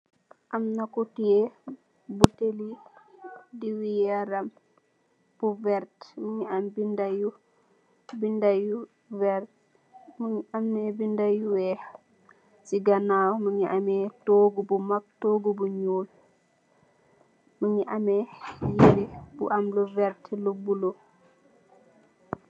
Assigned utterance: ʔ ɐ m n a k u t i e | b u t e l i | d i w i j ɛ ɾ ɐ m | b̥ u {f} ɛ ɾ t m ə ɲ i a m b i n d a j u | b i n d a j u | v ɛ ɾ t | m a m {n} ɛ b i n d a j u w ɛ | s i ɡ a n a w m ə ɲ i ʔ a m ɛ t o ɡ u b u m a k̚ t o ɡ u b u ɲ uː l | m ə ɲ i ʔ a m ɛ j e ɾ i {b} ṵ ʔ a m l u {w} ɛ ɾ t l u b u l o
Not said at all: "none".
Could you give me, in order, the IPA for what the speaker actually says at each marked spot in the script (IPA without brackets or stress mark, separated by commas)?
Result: v, n, b, v